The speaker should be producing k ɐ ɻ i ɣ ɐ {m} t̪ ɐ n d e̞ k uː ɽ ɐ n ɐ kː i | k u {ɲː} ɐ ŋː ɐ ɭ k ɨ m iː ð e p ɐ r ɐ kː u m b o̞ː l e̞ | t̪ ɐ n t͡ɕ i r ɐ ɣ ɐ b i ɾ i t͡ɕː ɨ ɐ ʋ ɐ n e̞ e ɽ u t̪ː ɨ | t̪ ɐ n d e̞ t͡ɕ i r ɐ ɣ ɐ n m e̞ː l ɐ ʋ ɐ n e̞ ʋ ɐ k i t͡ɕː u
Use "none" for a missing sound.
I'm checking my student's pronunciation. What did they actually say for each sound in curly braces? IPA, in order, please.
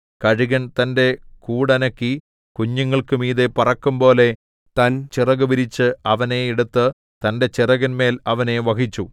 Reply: n, ɲː

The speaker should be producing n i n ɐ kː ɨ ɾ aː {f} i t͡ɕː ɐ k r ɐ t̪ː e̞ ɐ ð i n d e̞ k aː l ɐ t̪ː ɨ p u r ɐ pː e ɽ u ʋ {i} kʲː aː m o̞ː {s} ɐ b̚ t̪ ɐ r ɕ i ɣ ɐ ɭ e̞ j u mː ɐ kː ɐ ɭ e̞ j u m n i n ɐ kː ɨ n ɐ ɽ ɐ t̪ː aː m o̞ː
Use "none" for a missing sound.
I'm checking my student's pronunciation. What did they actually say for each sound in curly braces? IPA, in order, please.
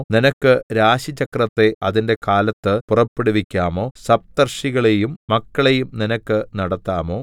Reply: ɕ, i, s

